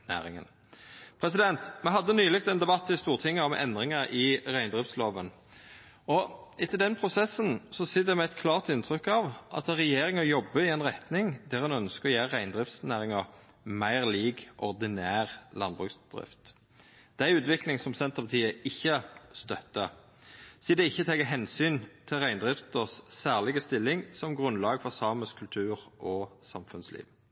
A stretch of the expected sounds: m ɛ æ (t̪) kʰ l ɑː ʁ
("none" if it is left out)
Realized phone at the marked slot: t̪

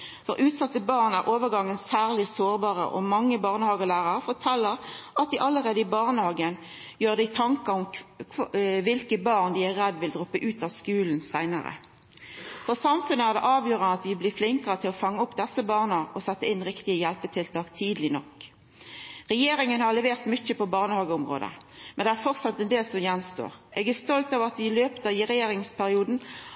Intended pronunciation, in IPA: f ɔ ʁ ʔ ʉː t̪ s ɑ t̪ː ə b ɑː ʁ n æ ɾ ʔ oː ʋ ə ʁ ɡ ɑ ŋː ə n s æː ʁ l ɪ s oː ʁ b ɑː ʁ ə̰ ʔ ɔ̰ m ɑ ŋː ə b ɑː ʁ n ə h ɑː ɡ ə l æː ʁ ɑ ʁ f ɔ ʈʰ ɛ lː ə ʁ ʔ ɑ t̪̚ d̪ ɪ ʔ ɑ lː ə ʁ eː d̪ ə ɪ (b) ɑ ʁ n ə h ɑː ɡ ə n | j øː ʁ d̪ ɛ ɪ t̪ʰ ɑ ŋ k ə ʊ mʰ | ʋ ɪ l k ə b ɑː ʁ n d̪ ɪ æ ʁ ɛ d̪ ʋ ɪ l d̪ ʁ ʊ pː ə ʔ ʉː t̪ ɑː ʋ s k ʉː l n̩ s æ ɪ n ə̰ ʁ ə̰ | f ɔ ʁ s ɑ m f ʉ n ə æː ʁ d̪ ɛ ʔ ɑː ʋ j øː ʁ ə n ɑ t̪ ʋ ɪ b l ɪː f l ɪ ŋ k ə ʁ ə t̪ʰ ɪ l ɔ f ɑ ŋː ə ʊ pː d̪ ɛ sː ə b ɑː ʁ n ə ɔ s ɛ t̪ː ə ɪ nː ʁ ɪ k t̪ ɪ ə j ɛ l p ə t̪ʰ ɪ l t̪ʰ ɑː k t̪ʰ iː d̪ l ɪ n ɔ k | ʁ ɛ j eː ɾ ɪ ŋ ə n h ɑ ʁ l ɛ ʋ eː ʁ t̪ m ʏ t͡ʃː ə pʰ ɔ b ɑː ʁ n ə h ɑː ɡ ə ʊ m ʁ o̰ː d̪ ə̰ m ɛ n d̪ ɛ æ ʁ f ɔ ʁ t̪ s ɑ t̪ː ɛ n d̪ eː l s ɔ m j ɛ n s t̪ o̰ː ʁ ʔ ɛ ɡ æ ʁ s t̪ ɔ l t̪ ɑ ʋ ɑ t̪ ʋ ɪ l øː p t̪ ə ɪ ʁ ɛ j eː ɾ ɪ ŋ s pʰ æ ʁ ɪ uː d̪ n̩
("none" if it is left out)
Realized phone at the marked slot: b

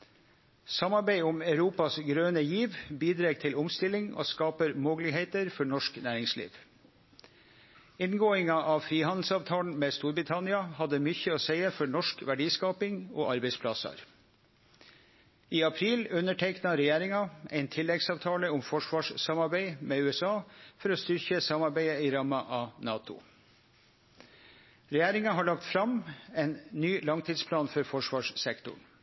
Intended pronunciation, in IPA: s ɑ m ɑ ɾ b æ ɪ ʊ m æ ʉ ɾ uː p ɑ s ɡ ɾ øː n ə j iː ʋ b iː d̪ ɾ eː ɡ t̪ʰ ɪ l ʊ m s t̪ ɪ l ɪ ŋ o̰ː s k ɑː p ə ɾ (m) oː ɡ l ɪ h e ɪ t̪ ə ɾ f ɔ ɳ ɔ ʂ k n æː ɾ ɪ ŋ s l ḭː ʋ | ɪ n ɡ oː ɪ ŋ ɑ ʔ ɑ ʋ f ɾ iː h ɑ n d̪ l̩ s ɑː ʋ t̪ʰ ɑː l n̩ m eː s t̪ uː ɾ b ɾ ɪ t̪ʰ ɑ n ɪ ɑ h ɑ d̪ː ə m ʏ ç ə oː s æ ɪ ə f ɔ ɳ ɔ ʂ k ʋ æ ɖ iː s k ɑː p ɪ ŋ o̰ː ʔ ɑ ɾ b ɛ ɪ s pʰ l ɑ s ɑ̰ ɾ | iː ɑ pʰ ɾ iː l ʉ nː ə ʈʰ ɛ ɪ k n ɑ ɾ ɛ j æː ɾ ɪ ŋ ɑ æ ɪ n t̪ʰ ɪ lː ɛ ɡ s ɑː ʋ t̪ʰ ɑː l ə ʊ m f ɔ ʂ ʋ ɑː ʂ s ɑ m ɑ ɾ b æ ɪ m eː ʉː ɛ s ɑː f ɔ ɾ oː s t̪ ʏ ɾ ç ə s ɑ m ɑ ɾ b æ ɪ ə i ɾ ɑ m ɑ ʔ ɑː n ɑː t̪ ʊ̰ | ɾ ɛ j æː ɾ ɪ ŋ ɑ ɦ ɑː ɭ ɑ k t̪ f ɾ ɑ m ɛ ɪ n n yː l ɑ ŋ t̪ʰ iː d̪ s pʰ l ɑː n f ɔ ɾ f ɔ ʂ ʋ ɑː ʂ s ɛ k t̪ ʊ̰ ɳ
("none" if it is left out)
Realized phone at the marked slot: m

